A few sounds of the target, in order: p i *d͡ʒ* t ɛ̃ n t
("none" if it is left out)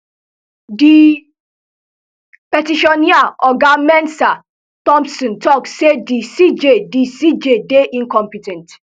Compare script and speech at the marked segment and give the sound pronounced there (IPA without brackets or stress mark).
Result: none